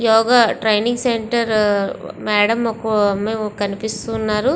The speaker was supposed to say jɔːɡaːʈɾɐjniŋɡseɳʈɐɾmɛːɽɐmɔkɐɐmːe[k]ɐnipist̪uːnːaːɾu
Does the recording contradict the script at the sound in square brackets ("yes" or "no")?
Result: no